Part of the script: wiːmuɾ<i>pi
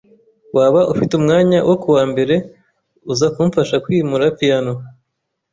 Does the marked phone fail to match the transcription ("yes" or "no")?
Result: yes